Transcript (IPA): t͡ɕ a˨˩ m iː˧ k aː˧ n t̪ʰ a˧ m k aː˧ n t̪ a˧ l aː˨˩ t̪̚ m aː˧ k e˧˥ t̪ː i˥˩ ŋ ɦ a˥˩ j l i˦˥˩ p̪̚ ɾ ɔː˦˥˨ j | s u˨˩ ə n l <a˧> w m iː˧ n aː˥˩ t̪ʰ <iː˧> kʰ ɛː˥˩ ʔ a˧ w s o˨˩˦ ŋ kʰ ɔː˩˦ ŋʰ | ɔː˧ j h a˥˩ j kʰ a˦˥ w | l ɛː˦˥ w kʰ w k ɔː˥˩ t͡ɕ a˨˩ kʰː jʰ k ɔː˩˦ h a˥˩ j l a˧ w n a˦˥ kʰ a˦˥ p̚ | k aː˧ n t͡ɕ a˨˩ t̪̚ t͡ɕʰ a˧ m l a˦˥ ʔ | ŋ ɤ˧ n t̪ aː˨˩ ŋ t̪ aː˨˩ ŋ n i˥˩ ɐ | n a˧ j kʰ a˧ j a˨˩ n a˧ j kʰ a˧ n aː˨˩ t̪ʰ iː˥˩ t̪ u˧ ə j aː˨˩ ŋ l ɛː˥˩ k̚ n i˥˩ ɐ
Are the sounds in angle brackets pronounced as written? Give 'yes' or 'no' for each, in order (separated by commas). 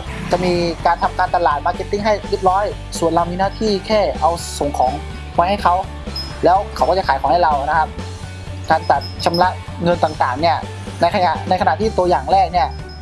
yes, no